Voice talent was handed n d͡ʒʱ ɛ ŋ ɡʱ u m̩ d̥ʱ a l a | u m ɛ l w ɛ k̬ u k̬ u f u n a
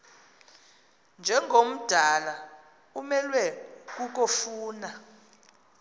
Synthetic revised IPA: n d͡ʒʱ ɛ ŋ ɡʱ o m̩ d̥ʱ a l a | u m ɛ l w ɛ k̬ u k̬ o f uː n a